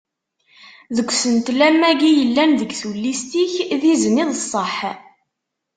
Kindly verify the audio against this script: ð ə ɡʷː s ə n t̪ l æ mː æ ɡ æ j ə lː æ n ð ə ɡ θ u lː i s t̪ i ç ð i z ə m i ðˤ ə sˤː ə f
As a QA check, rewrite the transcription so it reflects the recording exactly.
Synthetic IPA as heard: ð ə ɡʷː s ə n t̪ l æ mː æ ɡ i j ə lː æ n ð ə ɡ θ u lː i s t̪ i ç ð i z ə n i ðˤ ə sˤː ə ħ